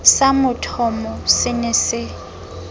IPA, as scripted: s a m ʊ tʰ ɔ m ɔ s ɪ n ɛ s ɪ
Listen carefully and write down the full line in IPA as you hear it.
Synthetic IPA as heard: s a m ʊ tʰ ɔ m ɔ s ɪ n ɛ s ɪ